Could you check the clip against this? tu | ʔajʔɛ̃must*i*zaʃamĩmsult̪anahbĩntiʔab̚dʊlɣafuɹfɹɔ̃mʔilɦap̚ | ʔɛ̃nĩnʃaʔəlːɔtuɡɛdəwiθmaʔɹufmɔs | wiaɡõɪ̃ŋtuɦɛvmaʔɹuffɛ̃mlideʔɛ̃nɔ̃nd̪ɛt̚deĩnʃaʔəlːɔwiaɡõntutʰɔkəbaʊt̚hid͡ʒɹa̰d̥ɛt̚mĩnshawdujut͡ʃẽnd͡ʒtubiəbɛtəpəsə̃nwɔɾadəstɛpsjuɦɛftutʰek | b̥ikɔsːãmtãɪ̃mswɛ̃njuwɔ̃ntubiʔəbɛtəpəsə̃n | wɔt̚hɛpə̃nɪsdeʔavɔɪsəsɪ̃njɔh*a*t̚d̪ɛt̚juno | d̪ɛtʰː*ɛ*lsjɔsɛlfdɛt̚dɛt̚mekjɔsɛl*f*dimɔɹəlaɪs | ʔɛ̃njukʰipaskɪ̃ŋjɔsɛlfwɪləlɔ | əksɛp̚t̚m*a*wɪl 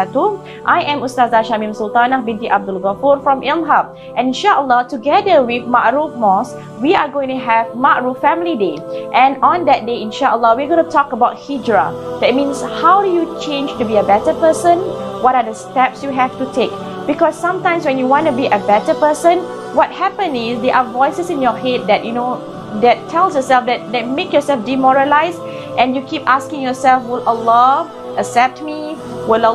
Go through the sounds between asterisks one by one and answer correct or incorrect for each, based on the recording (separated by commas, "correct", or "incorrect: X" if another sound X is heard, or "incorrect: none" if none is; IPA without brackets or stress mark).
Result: incorrect: a, incorrect: e, correct, correct, incorrect: i